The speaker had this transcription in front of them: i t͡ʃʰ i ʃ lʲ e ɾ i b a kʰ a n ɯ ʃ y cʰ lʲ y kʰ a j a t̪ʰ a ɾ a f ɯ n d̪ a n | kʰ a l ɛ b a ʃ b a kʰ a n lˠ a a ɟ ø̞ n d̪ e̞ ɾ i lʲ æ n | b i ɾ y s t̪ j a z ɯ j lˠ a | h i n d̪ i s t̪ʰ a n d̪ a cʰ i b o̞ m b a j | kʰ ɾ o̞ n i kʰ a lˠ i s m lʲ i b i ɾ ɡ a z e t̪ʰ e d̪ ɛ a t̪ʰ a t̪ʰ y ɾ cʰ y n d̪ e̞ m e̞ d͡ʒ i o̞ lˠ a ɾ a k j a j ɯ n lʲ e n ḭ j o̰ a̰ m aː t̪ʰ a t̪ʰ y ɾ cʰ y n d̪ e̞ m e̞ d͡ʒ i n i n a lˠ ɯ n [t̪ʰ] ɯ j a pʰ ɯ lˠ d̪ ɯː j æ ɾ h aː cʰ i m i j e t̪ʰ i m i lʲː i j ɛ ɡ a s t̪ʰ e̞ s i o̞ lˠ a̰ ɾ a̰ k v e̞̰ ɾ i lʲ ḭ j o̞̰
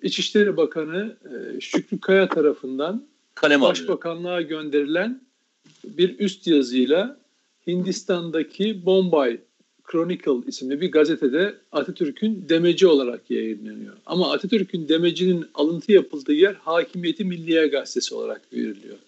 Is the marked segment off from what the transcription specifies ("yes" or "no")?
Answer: no